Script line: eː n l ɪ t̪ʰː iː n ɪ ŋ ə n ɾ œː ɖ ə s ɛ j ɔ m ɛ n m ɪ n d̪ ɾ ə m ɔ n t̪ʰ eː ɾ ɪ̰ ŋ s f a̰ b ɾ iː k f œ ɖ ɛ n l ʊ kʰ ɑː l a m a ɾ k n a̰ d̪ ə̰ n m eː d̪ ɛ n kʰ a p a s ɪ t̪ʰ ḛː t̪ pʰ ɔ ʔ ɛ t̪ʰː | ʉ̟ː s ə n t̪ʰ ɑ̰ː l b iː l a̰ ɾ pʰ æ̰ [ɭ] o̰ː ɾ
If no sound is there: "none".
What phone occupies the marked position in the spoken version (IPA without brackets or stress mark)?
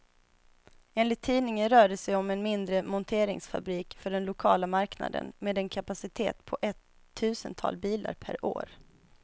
ɾ